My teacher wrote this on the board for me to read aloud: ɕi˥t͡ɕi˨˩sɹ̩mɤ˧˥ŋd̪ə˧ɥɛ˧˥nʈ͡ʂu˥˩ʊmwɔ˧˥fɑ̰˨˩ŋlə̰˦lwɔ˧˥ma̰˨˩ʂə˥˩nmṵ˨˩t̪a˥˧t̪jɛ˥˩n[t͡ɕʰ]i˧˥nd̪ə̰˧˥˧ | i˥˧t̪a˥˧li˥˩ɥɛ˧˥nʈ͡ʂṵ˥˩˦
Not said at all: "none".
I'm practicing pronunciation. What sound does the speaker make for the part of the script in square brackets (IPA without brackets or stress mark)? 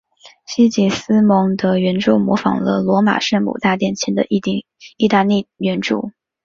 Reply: t͡ɕʰ